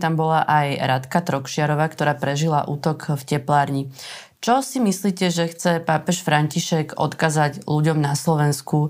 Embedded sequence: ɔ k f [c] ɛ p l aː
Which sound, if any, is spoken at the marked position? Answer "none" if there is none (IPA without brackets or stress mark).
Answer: c